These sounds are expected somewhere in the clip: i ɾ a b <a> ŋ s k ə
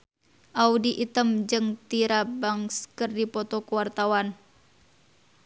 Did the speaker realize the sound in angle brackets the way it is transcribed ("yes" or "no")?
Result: yes